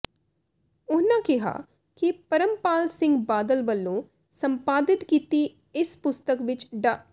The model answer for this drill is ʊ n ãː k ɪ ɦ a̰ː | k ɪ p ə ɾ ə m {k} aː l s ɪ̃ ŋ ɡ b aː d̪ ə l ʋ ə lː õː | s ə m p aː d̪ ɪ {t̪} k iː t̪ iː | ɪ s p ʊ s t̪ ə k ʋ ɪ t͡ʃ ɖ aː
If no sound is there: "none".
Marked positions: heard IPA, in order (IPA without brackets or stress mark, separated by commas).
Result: p, t̪